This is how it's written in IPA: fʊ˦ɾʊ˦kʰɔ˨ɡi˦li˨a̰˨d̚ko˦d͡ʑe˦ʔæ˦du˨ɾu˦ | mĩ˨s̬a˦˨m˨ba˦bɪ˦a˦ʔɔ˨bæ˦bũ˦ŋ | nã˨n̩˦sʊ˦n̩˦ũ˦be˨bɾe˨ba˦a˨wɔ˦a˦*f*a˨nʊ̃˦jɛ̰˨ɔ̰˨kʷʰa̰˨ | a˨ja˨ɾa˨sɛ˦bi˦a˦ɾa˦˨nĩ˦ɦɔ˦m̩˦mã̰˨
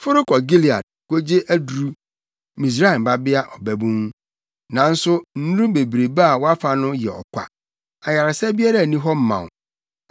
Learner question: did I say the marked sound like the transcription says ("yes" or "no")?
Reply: yes